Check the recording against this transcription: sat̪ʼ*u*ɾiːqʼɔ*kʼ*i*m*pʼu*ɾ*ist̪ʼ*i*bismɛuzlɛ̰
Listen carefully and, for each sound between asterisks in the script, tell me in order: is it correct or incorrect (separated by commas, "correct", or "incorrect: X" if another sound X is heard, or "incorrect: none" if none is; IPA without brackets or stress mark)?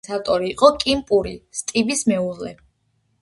incorrect: ɔ, correct, correct, correct, correct